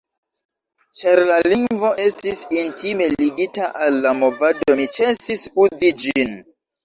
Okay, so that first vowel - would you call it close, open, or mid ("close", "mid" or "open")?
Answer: open